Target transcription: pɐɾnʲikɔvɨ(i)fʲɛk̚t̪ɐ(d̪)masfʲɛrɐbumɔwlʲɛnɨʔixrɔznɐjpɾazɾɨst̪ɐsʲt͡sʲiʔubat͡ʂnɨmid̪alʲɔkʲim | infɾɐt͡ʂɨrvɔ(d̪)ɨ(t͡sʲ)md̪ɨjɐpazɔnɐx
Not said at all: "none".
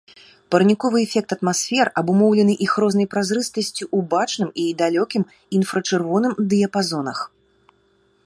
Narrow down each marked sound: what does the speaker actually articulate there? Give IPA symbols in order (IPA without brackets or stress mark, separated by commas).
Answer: ɛ, t̪, n̪, none